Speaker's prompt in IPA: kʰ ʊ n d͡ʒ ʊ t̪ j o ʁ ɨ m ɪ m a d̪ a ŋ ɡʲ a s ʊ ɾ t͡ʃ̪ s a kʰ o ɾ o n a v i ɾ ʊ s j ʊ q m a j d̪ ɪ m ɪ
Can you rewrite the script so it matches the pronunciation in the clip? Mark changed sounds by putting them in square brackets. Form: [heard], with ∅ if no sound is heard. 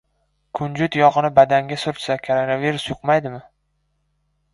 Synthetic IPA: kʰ ʊ n d͡ʒ ʊ t̪ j [ɒ] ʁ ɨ [n] ɪ [b] a d̪ a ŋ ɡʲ a s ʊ ɾ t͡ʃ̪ s a kʰ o ɾ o n a v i ɾ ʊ s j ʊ q m a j d̪ ɪ m ɪ